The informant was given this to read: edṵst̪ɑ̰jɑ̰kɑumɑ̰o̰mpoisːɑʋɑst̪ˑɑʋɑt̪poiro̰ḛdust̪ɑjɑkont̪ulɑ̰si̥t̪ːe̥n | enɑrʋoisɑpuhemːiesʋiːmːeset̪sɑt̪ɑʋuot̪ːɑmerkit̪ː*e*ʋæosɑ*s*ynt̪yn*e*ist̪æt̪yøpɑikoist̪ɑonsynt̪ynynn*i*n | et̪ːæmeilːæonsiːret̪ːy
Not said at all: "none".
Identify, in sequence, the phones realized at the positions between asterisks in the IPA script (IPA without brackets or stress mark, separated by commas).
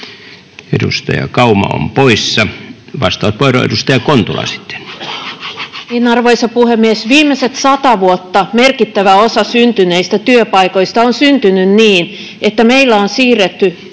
æ, s, e, iː